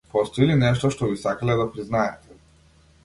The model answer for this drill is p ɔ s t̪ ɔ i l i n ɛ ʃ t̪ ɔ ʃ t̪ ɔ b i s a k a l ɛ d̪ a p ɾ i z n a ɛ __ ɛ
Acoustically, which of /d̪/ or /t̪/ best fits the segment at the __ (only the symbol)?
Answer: t̪